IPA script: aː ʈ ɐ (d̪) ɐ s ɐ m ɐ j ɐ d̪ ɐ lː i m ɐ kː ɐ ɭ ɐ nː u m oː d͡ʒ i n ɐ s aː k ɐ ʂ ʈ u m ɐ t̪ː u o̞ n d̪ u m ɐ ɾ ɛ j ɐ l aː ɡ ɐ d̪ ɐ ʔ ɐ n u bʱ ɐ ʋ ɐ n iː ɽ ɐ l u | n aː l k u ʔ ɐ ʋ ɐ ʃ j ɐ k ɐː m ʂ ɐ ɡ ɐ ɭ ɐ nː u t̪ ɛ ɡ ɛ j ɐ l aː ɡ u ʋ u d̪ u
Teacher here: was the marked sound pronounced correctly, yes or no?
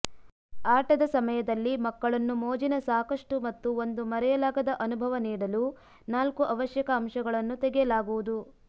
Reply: yes